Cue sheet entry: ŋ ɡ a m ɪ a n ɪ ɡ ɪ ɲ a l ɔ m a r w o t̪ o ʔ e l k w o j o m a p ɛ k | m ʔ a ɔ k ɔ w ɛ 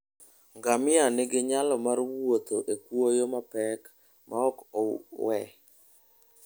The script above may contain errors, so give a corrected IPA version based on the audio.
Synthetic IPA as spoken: ŋ ɡ a m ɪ a n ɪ ɡ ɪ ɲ a l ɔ m a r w o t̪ o ʔ e k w o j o m a p ɛ k | m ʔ a ɔ k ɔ w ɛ